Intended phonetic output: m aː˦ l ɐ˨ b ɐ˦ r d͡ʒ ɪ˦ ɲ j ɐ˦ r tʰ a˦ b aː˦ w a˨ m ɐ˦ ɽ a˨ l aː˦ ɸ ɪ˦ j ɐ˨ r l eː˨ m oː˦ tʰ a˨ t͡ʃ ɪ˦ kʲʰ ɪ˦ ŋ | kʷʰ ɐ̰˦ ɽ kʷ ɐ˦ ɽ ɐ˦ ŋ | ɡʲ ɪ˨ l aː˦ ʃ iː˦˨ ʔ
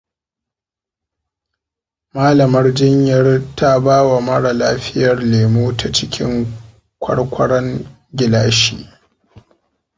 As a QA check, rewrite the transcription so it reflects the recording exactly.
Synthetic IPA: m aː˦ l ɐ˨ m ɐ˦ r d͡ʒ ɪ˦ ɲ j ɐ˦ r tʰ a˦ b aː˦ w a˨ m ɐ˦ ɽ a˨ l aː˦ ɸ ɪ˦ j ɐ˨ r l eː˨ m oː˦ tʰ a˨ t͡ʃ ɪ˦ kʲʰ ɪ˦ ŋ | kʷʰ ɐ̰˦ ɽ kʷ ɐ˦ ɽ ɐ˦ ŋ | ɡʲ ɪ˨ l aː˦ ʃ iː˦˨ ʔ